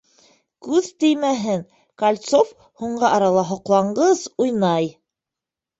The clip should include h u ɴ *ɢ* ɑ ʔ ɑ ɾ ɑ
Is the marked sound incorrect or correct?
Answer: correct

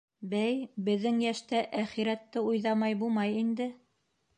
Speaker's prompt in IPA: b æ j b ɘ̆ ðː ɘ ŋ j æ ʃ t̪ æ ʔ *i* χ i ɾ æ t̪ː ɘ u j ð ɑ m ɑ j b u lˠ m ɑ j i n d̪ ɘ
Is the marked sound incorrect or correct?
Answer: incorrect: æ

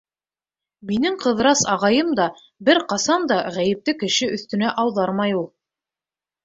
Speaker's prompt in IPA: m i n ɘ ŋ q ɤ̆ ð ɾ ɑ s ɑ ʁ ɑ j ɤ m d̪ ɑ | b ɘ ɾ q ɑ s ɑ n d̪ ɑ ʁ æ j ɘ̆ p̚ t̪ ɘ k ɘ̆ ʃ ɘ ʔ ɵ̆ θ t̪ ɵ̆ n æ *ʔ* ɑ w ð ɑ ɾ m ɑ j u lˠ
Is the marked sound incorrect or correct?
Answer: correct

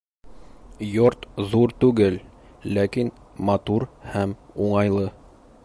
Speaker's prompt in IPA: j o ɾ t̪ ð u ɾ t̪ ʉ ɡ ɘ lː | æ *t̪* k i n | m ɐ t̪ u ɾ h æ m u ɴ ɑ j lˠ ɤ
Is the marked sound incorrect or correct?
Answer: incorrect: none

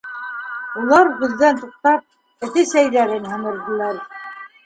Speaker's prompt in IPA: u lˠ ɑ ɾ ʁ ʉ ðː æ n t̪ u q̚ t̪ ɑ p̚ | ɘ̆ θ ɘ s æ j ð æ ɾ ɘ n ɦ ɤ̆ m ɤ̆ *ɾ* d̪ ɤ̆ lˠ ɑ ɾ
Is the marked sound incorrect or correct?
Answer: correct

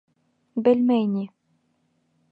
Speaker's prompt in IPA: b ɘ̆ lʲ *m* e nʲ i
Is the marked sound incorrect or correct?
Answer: correct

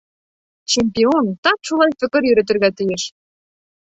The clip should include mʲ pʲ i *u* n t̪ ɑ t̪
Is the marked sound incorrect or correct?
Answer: incorrect: o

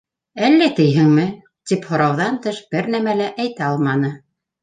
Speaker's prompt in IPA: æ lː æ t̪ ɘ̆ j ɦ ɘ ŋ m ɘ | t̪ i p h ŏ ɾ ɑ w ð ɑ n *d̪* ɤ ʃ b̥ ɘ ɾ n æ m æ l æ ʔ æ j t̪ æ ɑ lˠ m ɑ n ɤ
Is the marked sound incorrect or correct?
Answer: incorrect: t̪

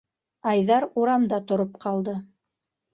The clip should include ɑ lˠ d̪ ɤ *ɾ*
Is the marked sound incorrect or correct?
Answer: incorrect: none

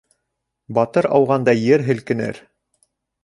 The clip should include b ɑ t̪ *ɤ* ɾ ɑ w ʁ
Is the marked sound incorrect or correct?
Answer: correct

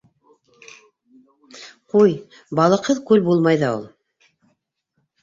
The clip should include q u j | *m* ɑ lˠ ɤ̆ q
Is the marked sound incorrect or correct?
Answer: incorrect: b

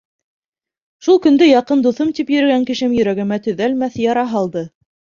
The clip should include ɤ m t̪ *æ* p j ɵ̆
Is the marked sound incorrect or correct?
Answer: incorrect: i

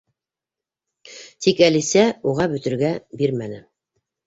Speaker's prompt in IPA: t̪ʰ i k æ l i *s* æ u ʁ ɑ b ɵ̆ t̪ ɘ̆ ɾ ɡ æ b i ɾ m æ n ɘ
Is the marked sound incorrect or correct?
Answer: correct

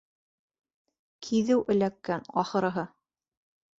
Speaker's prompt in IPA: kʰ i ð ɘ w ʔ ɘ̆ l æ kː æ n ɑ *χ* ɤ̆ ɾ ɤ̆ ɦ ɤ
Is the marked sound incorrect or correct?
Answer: correct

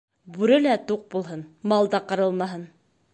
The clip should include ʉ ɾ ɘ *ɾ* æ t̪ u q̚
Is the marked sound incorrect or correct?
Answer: incorrect: l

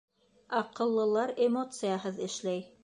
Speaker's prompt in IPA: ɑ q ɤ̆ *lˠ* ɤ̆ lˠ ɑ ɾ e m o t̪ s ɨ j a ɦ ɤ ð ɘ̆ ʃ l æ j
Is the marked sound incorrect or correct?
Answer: incorrect: lˠː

